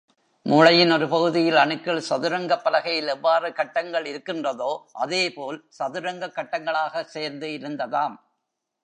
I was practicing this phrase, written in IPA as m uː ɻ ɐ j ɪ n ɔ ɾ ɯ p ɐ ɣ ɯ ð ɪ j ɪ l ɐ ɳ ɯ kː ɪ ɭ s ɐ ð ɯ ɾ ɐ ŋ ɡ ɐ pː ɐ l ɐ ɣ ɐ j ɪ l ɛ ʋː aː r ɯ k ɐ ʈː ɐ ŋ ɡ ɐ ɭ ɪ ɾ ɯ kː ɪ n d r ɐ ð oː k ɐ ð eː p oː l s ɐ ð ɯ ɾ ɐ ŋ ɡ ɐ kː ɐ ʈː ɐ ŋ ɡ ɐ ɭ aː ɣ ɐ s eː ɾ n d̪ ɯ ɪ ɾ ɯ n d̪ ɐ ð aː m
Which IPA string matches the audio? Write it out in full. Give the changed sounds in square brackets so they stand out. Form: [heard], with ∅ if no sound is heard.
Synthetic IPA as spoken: m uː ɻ ɐ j ɪ n ɔ ɾ ɯ p ɐ ɣ ɯ ð ɪ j ɪ l ɐ ɳ ɯ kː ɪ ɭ s ɐ ð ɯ ɾ ɐ ŋ ɡ ɐ pː ɐ l ɐ ɣ ɐ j ɪ l ɛ ʋː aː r ɯ k ɐ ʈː ɐ ŋ ɡ ɐ ɭ ɪ ɾ ɯ kː ɪ n d r ɐ ð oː [ʔ] ɐ ð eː p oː l s ɐ ð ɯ ɾ ɐ ŋ ɡ ɐ kː ɐ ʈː ɐ ŋ ɡ ɐ ɭ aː ɣ ɐ s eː ɾ n d̪ ɯ ɪ ɾ ɯ n d̪ ɐ ð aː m

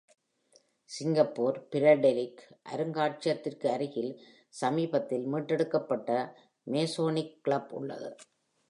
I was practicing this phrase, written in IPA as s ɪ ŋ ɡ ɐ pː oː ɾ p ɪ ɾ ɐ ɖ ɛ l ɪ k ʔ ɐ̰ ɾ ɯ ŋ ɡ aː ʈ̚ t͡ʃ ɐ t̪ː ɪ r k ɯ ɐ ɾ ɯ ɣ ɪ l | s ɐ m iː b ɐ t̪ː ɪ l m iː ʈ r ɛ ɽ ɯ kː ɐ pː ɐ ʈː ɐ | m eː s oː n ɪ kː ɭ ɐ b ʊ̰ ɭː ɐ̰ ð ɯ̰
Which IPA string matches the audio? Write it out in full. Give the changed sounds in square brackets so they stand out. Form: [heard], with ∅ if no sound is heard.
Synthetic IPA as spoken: s ɪ ŋ ɡ ɐ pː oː ɾ p ɪ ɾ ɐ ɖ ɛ l ɪ k ʔ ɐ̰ ɾ ɯ ŋ ɡ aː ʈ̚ t͡ʃ ɐ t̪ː ɪ r k ɯ ɐ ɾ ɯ ɣ ɪ l | s ɐ m iː b ɐ t̪ː ɪ l m iː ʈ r ɛ ɽ ɯ kː ɐ pː ɐ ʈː ɐ | m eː s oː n ɪ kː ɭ ɐ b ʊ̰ ɭː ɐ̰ ð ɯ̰

